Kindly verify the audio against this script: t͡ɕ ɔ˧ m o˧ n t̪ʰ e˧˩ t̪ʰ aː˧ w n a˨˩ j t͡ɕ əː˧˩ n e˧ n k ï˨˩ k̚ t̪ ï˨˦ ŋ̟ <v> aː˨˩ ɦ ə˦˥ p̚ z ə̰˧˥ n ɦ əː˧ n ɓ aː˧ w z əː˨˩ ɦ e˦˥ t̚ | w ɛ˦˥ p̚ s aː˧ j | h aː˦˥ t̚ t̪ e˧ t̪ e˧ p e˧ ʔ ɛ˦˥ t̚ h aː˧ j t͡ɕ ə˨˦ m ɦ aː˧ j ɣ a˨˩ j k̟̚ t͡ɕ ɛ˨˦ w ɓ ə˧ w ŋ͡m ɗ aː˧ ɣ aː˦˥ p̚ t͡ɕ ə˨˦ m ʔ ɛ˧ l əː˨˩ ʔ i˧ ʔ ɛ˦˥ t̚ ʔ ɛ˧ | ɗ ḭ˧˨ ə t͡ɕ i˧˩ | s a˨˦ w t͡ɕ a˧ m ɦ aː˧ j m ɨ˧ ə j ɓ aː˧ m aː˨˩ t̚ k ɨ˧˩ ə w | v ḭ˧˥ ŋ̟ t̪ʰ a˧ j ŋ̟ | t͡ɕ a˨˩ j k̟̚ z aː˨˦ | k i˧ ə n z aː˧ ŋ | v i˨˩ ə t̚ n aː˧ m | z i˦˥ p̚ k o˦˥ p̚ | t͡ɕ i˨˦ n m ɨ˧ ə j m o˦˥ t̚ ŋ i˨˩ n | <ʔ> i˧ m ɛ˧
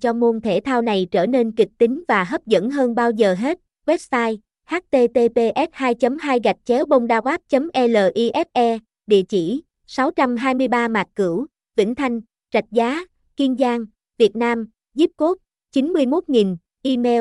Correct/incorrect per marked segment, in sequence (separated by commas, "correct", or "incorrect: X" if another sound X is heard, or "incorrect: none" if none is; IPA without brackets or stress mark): correct, correct